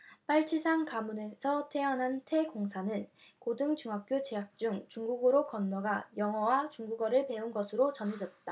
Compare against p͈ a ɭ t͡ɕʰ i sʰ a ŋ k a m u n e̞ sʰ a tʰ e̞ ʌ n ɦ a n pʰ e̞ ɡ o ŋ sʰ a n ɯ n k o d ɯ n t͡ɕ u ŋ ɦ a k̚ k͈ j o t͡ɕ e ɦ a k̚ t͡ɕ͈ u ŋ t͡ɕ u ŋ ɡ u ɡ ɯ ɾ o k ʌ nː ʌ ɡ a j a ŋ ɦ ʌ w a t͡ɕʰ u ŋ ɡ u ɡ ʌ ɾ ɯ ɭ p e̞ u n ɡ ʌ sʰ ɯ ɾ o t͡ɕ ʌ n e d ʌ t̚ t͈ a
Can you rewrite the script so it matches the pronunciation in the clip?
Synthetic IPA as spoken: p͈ a ɭ t͡ɕʰ i sʰ a ŋ k a m u n e̞ sʰ ʌ tʰ e̞ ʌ n ɦ a n tʰ e̞ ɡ o ŋ sʰ a n ɯ n k o d ɯ ŋ t͡ɕ u ŋ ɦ a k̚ k͈ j o t͡ɕ e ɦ a k̚ t͡ɕ͈ u ŋ t͡ɕ u ŋ ɡ u ɡ ɯ ɾ o k ʌ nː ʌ ɡ a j ʌ ŋ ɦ ʌ w a t͡ɕ u ŋ ɡ u ɡ ʌ ɾ ɯ ɭ p e̞ u n ɡ ʌ sʰ ɯ ɾ o t͡ɕ ʌ n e d͡ʑ ʌ t̚ t͈ a